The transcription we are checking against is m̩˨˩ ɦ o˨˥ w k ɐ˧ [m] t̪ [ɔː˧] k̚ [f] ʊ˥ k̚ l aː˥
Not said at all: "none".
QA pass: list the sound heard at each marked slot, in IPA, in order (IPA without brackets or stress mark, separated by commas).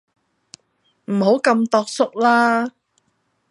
m, ɔː˧, s